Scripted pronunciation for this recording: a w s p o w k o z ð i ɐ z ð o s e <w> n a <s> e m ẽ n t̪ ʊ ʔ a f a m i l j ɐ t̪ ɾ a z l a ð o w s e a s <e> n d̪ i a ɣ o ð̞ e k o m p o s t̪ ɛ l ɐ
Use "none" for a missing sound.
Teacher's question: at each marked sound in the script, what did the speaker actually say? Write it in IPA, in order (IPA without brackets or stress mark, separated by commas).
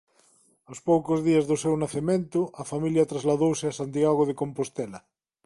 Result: w, θ, a